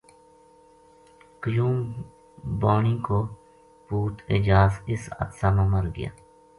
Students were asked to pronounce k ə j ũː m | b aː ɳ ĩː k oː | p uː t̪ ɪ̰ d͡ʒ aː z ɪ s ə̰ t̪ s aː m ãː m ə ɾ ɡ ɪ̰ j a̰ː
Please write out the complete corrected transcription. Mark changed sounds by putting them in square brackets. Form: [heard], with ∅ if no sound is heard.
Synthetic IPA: k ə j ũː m | b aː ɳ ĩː k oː | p uː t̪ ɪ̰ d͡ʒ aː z ɪ s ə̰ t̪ s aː m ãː m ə ɾ ɡ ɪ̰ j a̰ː